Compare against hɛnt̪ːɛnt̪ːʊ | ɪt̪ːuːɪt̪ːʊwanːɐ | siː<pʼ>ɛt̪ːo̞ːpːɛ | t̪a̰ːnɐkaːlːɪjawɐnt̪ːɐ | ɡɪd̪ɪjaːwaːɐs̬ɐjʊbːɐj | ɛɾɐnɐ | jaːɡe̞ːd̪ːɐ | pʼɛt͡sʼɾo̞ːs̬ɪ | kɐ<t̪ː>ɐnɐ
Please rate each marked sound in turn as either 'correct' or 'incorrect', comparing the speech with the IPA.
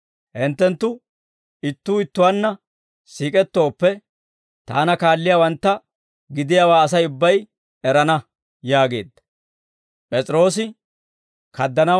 incorrect, incorrect

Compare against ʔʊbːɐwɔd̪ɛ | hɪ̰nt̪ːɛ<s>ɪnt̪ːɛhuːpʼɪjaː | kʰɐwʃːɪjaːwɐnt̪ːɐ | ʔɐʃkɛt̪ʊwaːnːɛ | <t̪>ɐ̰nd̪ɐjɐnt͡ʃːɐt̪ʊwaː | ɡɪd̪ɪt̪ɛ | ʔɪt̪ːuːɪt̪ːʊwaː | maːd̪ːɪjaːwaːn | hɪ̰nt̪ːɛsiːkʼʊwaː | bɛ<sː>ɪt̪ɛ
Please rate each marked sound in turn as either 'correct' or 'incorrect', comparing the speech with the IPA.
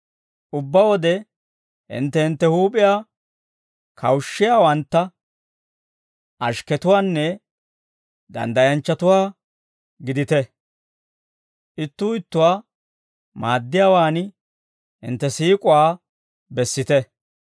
incorrect, incorrect, correct

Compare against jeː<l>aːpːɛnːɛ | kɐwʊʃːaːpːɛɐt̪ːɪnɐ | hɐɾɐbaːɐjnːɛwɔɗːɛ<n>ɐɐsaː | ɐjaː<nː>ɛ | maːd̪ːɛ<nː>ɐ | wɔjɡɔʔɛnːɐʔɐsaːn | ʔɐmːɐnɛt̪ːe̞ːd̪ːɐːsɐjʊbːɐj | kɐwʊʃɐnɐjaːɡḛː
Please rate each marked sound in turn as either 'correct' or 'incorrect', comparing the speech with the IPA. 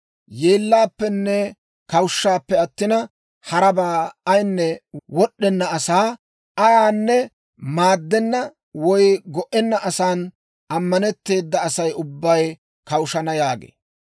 incorrect, incorrect, correct, correct

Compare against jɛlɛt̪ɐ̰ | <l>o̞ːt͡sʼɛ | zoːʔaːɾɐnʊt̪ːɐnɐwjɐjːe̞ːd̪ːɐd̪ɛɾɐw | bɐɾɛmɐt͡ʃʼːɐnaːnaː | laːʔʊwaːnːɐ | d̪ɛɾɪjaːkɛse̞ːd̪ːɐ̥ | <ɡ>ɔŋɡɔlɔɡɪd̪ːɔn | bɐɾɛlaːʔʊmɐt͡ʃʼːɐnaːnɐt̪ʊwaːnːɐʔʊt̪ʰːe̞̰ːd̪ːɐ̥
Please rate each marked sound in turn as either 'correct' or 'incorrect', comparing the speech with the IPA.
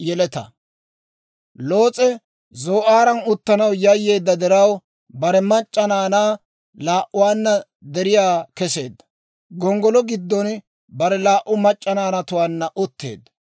correct, correct

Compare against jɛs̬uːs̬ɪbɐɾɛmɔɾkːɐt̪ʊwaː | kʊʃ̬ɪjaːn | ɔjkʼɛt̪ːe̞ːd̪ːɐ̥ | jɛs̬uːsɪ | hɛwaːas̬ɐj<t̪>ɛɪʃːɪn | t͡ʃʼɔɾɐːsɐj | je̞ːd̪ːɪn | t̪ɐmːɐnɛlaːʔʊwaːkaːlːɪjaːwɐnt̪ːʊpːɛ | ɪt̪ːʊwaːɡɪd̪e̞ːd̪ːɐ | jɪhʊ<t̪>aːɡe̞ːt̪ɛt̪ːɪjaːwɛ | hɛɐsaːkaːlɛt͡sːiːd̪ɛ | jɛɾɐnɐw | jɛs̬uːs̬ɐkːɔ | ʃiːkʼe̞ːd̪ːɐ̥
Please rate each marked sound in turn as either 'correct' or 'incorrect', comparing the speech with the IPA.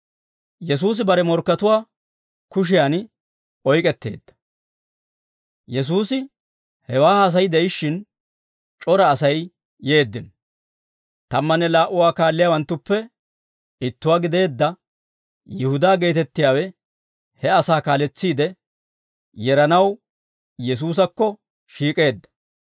incorrect, incorrect

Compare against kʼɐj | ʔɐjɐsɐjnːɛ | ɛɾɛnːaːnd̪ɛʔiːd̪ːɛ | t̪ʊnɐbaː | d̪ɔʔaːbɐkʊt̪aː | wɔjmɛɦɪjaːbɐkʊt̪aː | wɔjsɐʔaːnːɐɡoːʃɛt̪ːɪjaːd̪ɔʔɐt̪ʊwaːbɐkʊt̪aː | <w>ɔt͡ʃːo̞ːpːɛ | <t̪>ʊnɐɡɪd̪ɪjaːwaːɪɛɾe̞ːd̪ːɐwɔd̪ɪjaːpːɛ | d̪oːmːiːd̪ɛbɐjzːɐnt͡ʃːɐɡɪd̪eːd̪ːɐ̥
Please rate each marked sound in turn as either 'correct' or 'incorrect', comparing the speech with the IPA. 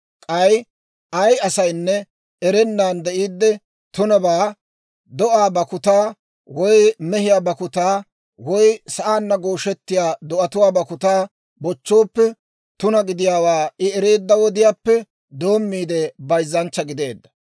incorrect, correct

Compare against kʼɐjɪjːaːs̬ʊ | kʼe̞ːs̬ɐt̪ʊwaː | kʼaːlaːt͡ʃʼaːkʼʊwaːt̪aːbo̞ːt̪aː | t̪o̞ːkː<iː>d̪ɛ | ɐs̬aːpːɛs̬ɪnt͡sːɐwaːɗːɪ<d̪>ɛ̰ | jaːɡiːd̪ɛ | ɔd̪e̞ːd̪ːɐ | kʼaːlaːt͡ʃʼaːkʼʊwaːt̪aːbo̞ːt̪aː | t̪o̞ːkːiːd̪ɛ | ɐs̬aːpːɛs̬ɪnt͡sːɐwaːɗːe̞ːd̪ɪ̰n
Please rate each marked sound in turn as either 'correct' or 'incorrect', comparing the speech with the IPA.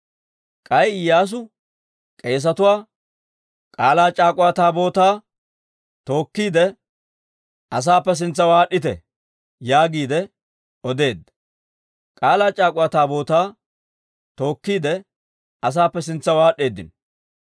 correct, incorrect

